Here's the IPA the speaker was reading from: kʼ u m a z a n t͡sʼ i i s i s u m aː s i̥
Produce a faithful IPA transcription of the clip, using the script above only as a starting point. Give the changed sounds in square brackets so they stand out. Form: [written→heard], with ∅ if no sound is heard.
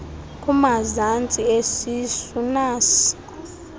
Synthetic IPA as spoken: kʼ u m a z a n t͡sʼ i [i→e] s i s u [m→n] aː s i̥